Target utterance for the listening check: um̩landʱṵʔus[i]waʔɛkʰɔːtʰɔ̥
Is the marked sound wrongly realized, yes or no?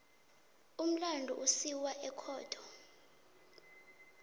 no